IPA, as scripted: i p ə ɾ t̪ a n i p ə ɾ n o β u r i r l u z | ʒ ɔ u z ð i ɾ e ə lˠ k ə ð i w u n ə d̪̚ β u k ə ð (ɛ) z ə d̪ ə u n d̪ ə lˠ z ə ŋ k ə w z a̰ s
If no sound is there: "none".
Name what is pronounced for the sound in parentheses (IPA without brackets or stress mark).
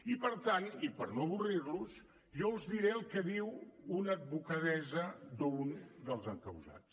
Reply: ɛ